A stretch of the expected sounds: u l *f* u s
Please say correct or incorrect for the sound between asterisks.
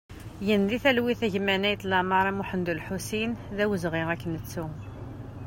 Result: incorrect: ħ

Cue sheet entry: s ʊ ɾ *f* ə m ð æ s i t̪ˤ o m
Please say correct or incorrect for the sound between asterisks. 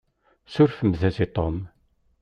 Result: correct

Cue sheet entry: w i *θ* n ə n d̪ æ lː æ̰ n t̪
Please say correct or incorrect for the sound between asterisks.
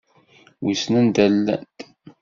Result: incorrect: s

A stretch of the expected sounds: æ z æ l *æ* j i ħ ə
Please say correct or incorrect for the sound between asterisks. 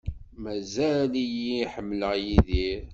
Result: incorrect: i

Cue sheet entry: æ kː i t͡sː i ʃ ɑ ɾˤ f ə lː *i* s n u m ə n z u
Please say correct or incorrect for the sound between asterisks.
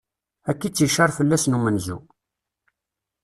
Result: incorrect: æ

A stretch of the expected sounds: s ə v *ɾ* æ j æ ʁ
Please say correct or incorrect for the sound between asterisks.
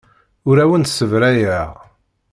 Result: correct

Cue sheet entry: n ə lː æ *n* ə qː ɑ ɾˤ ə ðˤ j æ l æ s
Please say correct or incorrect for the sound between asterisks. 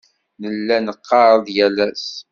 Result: correct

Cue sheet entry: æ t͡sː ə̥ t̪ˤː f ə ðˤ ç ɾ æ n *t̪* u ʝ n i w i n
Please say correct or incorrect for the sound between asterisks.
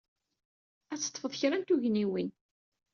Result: correct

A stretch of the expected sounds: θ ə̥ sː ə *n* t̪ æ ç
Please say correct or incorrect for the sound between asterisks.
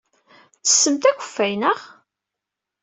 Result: incorrect: m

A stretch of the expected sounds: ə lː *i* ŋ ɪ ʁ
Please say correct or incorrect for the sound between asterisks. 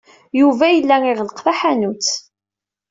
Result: incorrect: æ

